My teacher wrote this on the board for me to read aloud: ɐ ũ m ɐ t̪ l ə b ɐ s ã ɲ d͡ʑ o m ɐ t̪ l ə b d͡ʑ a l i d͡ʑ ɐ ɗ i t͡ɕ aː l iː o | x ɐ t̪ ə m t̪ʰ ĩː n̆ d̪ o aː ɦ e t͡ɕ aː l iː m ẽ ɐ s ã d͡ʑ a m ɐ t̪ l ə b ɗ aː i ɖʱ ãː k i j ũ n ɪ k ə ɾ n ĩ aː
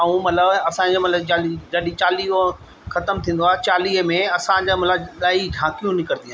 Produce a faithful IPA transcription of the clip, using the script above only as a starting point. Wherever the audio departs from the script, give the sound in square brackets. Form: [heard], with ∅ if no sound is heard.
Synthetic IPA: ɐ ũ m ɐ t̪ l ə b ɐ s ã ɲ d͡ʑ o m ɐ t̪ l ə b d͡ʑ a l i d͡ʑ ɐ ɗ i t͡ɕ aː l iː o | x ɐ t̪ ə m t̪ʰ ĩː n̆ d̪ o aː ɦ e t͡ɕ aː l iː m ẽ ɐ s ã d͡ʑ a m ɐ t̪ l ə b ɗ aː i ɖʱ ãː k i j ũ n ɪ k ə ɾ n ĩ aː